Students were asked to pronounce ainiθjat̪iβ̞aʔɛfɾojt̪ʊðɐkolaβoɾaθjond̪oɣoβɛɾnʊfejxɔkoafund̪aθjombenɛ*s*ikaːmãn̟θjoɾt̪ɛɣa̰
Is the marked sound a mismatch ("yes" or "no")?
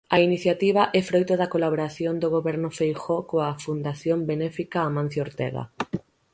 yes